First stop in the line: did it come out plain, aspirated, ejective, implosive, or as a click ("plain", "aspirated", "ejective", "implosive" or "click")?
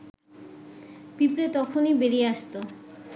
plain